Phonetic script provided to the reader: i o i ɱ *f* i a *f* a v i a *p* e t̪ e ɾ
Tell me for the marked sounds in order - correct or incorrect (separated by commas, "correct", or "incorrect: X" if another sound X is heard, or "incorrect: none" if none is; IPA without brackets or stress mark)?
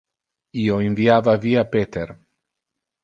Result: incorrect: v, incorrect: v, correct